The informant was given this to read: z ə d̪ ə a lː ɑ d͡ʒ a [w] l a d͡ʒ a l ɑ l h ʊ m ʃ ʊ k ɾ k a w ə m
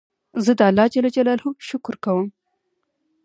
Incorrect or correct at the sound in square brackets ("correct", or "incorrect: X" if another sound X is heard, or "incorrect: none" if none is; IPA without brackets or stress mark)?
incorrect: none